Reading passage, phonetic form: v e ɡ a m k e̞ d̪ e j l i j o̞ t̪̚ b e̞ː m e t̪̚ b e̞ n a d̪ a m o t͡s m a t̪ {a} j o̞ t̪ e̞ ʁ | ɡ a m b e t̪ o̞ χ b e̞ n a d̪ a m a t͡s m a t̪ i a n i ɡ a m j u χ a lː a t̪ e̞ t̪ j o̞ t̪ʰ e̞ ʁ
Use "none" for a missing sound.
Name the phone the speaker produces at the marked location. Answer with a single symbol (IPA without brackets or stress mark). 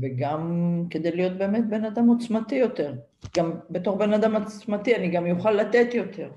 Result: i